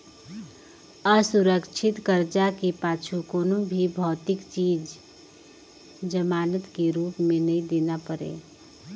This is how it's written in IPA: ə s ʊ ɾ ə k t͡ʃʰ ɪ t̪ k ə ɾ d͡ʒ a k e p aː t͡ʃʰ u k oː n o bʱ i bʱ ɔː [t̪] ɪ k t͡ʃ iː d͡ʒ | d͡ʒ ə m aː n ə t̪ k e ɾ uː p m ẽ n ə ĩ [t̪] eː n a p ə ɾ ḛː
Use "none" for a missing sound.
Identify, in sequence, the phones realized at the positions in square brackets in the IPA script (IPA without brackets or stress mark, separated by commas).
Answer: t̪, d̪